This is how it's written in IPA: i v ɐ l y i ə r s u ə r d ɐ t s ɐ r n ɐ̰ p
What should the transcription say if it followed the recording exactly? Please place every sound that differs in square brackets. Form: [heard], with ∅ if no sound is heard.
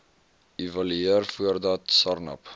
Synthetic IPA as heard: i v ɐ l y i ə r [f] u ə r d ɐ t s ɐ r n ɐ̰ p